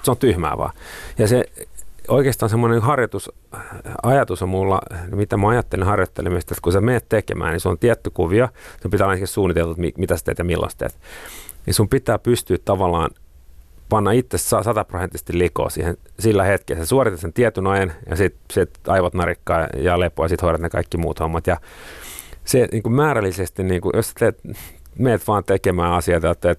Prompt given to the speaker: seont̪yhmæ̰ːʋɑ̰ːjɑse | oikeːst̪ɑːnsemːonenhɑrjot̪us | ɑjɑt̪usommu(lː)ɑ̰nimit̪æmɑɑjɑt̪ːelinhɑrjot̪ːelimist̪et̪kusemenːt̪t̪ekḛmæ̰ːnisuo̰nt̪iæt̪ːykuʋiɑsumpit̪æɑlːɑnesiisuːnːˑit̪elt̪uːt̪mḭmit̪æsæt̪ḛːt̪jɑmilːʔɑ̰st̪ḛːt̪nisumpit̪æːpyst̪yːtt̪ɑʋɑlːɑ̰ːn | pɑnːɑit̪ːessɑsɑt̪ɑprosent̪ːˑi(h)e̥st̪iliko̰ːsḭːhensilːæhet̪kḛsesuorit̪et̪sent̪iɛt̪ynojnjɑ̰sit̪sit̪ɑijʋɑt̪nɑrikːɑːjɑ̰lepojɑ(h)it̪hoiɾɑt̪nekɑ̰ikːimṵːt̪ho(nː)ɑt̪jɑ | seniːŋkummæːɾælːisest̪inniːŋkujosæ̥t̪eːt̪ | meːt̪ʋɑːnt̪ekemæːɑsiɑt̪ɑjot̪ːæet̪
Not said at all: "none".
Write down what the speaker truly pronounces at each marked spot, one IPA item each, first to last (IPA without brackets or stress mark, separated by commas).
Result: lː, s, s, mː